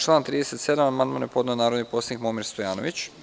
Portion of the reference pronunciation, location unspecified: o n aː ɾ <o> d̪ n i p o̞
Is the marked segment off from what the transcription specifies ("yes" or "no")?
no